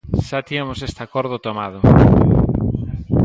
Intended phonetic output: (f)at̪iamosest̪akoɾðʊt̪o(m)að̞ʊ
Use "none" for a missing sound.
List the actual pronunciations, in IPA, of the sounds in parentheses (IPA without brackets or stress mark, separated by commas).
ʃ, m